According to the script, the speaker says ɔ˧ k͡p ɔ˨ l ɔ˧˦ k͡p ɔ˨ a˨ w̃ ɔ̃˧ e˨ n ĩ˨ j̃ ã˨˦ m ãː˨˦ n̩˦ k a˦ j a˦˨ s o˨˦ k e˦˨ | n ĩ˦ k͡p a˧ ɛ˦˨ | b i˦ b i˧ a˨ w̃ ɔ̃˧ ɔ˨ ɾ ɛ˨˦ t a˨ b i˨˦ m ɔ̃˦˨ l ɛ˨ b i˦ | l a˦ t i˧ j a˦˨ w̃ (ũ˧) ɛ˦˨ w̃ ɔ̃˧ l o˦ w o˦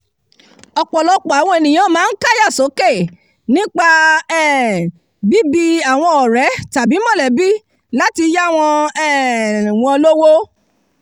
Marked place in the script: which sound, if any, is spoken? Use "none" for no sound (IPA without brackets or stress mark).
ɔ̃˧